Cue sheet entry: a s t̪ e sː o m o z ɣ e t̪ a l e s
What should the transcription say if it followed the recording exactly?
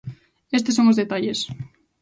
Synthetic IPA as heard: e s t̪ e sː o ŋ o z ð e t̪ a ʎ e s